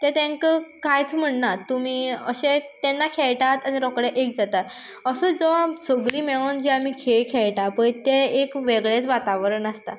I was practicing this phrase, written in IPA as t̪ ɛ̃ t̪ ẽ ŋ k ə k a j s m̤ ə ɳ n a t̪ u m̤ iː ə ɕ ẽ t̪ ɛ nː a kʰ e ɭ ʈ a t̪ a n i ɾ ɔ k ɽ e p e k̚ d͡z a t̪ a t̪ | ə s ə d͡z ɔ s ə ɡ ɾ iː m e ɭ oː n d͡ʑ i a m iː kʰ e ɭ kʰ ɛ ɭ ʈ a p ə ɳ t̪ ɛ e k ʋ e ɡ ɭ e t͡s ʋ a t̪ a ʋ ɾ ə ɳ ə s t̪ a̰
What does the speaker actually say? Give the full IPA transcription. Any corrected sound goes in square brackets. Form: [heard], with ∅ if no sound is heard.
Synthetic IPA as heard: t̪ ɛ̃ t̪ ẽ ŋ k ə k a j [t͡s] m̤ ə ɳ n a t̪ u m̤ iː ə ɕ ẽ t̪ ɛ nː a kʰ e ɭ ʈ a t̪ a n i ɾ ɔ k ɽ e [ʔ] e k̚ d͡z a t̪ a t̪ | ə s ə d͡z ɔ s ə ɡ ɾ iː m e ɭ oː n d͡ʑ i a m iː kʰ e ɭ kʰ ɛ ɭ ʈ a p ə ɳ t̪ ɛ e k ʋ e ɡ ɭ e t͡s ʋ a t̪ a ʋ ɾ ə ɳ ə s t̪ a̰